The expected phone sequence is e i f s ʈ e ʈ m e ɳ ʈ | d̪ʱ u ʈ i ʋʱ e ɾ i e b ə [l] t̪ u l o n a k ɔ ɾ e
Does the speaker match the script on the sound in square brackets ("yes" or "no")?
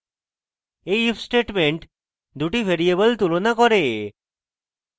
yes